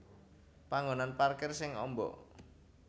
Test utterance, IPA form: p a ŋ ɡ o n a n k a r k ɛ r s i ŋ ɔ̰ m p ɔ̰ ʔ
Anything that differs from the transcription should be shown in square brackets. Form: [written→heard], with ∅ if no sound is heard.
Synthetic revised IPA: p a ŋ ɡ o n a n [k→p] a r k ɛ r s [i→ɪ] ŋ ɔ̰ m [p→b] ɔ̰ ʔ